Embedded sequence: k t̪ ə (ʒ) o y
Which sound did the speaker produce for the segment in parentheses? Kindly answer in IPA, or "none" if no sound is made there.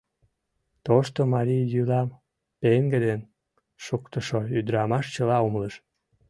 ʃ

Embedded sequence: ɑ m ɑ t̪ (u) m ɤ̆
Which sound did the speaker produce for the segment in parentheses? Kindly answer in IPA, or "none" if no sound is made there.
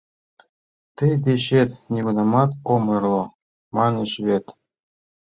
o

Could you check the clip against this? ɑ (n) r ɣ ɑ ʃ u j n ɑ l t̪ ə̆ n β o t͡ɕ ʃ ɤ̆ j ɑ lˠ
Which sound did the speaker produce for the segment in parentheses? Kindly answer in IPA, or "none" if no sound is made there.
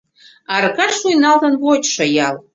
none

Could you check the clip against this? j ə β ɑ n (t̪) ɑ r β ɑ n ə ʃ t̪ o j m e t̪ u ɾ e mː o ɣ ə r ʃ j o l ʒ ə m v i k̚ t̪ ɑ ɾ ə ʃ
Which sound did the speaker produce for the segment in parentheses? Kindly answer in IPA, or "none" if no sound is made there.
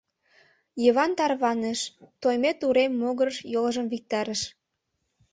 t̪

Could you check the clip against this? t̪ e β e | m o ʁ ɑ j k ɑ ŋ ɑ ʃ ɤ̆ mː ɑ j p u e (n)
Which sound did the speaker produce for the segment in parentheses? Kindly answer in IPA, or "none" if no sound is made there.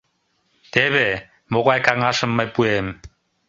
m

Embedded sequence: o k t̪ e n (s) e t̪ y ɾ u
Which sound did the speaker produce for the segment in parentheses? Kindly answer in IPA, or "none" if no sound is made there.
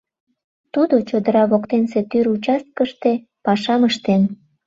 s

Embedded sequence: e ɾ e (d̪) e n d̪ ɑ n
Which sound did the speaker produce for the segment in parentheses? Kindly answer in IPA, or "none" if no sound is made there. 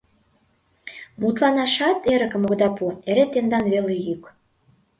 t̪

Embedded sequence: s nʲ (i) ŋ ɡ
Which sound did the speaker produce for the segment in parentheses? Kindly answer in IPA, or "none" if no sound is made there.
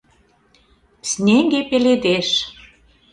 e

